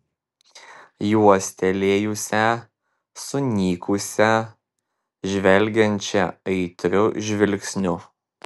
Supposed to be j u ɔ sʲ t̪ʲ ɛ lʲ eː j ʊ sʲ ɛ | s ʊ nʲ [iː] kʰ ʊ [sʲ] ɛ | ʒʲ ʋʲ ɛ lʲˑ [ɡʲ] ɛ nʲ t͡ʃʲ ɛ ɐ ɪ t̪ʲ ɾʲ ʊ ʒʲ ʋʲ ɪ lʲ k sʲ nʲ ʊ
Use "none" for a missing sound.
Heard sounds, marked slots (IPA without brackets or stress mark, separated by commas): iː, sʲ, ɡʲ